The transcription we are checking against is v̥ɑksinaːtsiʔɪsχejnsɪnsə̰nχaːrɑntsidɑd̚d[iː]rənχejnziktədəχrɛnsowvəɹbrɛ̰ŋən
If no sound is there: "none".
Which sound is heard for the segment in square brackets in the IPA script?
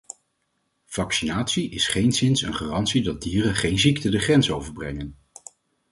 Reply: iː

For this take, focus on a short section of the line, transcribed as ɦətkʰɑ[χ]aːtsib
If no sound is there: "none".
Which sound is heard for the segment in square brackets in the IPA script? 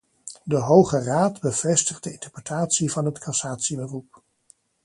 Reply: s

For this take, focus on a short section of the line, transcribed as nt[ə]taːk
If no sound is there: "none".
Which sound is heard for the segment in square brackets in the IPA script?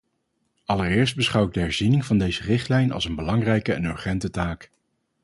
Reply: ə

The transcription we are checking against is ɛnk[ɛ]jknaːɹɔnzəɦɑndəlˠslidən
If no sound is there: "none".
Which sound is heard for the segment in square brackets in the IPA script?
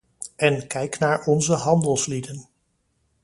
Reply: ɛ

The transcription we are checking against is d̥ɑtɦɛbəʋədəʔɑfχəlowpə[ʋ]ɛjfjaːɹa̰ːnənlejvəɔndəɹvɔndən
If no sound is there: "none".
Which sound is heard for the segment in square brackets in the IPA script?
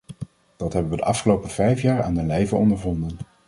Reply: v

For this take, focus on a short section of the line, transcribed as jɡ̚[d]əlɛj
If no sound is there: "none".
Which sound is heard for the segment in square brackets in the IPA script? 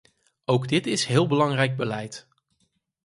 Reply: b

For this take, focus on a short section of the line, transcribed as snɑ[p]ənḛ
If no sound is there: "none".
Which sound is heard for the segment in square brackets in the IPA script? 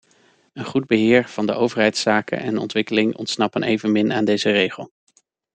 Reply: p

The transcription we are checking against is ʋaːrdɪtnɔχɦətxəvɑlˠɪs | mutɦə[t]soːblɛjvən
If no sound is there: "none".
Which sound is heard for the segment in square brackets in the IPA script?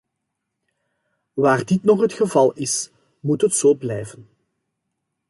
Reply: t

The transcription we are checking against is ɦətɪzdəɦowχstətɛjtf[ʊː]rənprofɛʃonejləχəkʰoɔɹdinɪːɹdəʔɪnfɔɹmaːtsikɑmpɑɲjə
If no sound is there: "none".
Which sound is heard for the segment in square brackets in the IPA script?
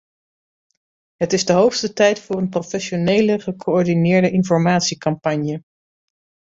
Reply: ʊː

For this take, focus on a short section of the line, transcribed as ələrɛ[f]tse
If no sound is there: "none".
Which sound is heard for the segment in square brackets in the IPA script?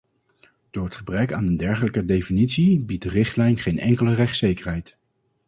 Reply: χ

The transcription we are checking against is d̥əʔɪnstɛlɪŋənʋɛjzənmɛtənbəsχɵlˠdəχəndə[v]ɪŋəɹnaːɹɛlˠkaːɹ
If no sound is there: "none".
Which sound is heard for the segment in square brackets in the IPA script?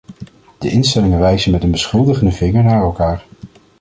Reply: v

